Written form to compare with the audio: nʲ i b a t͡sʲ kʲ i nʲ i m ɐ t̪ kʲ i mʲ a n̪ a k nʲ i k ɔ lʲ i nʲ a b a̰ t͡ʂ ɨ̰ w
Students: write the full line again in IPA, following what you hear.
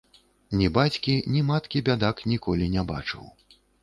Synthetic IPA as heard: nʲ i b a t͡sʲ kʲ i nʲ i m a t̪ kʲ i bʲ a d̪ a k nʲ i k ɔ lʲ i nʲ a b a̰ t͡ʂ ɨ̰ w